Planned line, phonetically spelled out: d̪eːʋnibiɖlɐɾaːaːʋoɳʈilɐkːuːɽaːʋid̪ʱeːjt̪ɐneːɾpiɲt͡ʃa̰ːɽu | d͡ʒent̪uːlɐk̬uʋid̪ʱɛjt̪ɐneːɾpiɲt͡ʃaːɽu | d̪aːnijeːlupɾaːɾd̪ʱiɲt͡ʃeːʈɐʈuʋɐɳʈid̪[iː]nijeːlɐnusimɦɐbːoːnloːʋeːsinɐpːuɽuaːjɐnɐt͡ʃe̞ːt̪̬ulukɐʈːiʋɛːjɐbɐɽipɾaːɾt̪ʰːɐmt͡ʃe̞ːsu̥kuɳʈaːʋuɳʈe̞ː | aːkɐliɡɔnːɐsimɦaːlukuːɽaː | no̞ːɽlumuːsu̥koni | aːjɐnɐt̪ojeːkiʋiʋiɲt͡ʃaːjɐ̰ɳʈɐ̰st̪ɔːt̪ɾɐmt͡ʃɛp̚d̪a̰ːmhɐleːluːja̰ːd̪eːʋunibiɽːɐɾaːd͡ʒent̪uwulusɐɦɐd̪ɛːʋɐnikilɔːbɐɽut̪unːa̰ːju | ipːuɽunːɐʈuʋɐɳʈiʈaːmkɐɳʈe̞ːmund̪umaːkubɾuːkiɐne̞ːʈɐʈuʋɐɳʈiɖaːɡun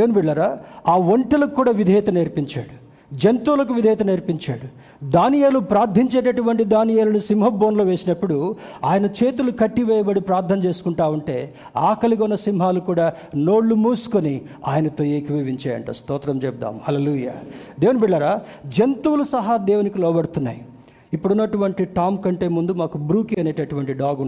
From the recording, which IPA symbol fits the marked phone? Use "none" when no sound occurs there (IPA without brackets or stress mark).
aː